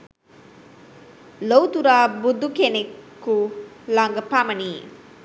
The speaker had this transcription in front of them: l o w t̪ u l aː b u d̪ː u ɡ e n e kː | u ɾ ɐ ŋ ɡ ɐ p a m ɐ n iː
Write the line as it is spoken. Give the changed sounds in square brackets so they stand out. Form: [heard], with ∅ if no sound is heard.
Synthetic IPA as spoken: l o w t̪ u [ɾ] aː b u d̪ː u [k] e n e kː | u [l] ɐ ŋ ɡ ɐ p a m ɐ n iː

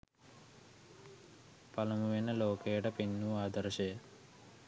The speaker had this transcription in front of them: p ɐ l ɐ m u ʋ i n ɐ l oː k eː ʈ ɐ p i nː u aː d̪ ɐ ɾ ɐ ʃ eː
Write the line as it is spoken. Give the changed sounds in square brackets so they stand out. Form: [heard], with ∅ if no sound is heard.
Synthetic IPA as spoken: p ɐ l ɐ m u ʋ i n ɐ l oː k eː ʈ ɐ p i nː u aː d̪ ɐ ɾ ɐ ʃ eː

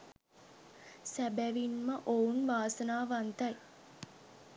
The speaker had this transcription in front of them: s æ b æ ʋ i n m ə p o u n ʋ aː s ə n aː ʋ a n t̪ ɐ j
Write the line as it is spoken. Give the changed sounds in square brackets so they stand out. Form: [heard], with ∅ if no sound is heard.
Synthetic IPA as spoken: s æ b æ ʋ i n m ə [ʔ] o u n ʋ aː s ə n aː ʋ a n t̪ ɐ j

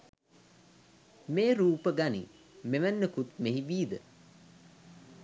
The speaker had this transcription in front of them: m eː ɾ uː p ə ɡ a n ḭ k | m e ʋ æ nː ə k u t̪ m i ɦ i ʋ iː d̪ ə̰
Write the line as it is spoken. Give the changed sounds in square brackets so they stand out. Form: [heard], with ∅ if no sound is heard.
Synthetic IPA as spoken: m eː ɾ uː p ə ɡ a n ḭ [∅] | m e ʋ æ nː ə k u t̪ m [e] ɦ i ʋ iː d̪ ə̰

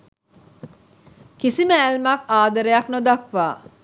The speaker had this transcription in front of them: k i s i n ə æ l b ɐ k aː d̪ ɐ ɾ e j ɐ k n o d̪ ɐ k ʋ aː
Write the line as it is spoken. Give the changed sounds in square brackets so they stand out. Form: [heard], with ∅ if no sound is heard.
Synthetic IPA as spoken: k i s i [m] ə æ l [m] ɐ k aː d̪ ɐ ɾ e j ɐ k n o d̪ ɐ k ʋ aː

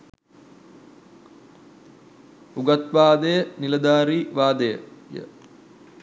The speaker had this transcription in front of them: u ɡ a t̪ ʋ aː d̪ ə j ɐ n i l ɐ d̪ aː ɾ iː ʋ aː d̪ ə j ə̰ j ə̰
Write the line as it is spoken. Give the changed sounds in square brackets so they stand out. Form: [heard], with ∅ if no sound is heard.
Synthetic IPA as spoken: u ɡ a t̪ ʋ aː d̪ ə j [ə] n i l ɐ d̪ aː ɾ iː ʋ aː d̪ ə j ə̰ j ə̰

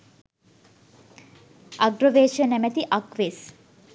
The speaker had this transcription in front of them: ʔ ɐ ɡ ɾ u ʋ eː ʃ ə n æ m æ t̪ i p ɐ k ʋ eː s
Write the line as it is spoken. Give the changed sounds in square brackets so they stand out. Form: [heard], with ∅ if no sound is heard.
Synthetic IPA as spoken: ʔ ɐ ɡ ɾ [o] ʋ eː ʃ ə n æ m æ t̪ i [ʔ] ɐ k ʋ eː s

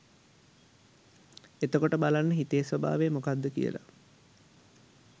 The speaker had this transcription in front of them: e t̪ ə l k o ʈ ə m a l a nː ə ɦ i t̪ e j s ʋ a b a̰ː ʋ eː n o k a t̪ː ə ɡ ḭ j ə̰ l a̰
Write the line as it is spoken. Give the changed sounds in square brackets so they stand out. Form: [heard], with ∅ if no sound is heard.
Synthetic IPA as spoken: e t̪ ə [∅] k o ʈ ə [b] a l a nː ə ɦ i t̪ e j s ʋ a b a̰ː ʋ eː [m] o k a [d̪ː] ə [k] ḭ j ə̰ l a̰

